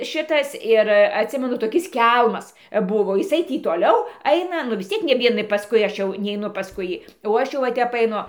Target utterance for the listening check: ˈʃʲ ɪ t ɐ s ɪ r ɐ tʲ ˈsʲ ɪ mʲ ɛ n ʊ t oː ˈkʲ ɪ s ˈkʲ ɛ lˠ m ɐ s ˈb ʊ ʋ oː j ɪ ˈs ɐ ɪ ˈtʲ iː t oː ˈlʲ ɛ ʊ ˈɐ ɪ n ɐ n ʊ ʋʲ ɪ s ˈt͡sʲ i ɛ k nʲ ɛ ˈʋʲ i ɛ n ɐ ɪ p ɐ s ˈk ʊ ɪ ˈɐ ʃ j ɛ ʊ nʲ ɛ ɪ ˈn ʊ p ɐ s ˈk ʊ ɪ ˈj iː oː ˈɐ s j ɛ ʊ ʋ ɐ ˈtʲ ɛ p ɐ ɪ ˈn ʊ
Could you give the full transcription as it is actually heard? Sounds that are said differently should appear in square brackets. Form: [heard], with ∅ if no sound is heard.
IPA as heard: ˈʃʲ ɪ t ɐ s ɪ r ɐ tʲ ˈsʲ ɪ mʲ ɛ n ʊ t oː ˈkʲ ɪ s ˈkʲ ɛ lˠ m ɐ s ˈb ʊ ʋ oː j ɪ ˈs ɐ ɪ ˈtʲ iː t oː ˈlʲ ɛ ʊ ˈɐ ɪ n ɐ n ʊ ʋʲ ɪ s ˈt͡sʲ i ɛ k nʲ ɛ ˈʋʲ i ɛ n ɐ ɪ p ɐ s ˈk ʊ ɪ ˈɐ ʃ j ɛ ʊ nʲ ɛ ɪ ˈn ʊ p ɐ s ˈk ʊ ɪ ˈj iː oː ˈɐ [ʃ] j ɛ ʊ ʋ ɐ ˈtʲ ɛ p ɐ ɪ ˈn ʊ